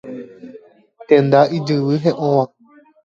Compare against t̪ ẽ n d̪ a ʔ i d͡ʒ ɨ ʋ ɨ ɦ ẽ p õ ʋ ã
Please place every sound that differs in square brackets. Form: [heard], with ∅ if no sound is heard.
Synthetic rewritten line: t̪ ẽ n d̪ a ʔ i d͡ʒ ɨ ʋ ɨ ɦ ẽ [ʔ] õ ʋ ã